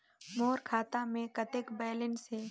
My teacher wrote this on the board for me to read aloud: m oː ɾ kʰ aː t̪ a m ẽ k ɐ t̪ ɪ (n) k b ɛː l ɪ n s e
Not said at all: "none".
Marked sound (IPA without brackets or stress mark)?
none